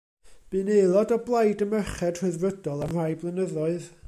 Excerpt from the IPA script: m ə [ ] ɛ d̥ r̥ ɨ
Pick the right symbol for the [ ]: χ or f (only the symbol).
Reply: χ